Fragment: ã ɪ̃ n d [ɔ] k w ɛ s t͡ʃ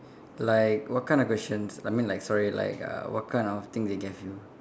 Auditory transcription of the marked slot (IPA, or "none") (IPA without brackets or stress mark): ɔ